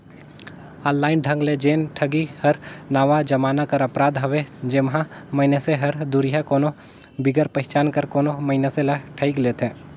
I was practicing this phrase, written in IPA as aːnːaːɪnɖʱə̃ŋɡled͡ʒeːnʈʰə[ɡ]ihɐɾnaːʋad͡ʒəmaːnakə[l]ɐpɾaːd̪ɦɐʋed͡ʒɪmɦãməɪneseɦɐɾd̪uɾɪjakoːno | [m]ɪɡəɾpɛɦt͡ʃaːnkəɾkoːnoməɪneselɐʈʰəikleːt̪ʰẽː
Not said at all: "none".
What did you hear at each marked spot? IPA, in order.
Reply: ɡ, ɾ, b

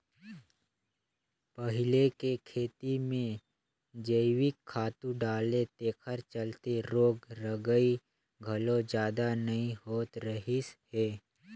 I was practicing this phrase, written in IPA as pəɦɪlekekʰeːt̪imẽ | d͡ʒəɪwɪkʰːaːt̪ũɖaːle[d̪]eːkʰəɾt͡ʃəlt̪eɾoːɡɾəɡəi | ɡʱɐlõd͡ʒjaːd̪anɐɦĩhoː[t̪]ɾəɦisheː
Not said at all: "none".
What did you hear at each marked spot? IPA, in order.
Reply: t̪, t̪

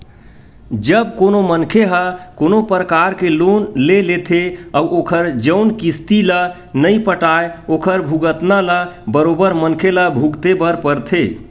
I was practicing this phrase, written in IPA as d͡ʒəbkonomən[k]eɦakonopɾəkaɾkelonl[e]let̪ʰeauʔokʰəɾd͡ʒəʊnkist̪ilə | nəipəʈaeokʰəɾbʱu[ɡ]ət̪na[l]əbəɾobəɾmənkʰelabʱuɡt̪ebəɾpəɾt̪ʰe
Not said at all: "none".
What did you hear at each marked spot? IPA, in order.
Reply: kʰ, e, ɡ, l

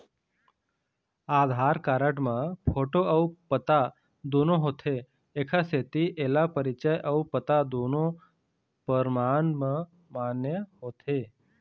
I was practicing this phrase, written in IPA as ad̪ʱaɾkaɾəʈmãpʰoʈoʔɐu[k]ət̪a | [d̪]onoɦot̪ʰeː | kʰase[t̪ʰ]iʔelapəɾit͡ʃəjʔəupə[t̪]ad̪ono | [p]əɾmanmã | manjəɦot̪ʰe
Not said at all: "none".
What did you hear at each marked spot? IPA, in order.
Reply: p, d̪, t̪, t̪, p

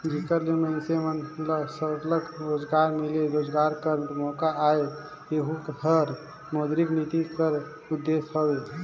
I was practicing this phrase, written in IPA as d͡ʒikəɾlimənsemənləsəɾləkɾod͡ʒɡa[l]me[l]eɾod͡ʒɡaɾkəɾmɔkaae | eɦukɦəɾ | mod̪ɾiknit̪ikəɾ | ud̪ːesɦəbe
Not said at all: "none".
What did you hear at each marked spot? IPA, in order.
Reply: ɾ, l

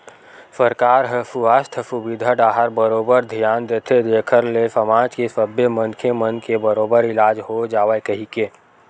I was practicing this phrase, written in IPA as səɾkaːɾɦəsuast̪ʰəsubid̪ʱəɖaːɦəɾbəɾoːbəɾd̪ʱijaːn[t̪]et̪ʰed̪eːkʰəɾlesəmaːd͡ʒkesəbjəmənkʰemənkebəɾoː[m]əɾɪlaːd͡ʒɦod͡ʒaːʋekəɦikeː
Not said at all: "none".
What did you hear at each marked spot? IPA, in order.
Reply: d̪, b

